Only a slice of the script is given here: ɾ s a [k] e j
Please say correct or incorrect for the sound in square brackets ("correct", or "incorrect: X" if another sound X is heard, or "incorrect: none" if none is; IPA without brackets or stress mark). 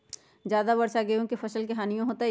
incorrect: ɡ